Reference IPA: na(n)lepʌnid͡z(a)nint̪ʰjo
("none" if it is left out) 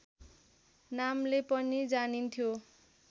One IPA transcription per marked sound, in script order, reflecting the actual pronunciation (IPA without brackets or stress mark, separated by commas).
m, a